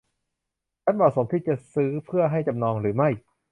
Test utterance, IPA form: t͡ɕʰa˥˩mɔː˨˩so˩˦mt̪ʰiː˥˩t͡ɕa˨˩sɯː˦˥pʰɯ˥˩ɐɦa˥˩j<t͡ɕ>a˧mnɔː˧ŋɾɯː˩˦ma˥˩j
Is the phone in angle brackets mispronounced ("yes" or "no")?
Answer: no